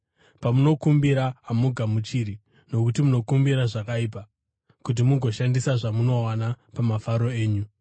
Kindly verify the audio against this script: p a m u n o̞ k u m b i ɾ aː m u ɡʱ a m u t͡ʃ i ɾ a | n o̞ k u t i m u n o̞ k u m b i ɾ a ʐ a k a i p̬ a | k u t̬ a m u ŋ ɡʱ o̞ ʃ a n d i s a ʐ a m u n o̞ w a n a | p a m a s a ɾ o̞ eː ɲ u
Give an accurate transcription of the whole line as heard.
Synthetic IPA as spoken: p a m u n o̞ k u m b i ɾ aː m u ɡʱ a m u t͡ʃ i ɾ i | n o̞ k u t i m u n o̞ k u m b i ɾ a ʐ a k a i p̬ a | k u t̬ i m u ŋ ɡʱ o̞ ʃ a n d i s a ʐ a m u n o̞ w a n a | p a m a f a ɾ o̞ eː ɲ u